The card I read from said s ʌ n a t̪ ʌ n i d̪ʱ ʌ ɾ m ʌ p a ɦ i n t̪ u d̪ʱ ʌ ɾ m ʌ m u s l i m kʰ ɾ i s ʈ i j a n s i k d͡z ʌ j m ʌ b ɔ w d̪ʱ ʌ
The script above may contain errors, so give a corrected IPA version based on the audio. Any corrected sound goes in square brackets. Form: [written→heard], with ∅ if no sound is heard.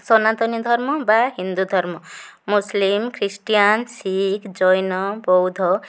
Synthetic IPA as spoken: s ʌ n a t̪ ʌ n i d̪ʱ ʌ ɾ m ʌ [p→b] a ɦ i n [t̪→d̪] u d̪ʱ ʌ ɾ m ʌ m u s l i m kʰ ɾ i s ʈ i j a n s i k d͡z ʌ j [m→n] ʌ b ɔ w d̪ʱ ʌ